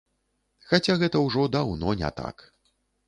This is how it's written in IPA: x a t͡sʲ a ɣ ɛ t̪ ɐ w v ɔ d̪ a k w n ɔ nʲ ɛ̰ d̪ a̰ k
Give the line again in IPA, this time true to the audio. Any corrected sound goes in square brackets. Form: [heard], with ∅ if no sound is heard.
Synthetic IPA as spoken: x a t͡sʲ a ɣ ɛ t̪ ɐ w [ʐ] ɔ d̪ a [∅] w n ɔ nʲ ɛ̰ [t̪] a̰ k